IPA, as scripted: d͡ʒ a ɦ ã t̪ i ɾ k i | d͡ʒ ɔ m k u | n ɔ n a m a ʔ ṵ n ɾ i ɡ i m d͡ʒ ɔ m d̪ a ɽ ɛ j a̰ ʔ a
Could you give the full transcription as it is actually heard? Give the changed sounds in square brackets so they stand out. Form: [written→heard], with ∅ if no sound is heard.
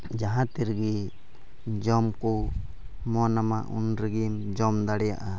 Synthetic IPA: d͡ʒ a ɦ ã t̪ i ɾ [k→ɡ] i | d͡ʒ ɔ m k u | [n→m] ɔ n a m a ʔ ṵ n ɾ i ɡ i m d͡ʒ ɔ m d̪ a ɽ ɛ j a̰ ʔ a